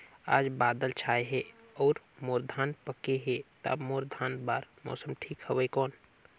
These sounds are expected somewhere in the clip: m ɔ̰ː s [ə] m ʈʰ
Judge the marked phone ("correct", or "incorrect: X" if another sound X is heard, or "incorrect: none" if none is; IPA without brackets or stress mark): correct